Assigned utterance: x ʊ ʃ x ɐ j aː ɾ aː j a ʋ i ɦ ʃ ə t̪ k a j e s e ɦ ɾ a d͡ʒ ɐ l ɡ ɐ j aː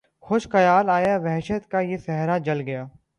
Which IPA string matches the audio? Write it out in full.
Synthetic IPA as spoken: x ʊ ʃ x ɐ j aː l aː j a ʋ ɛ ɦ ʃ ə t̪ k a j e s ɛ ɦ ɾ a d͡ʒ ɐ l ɡ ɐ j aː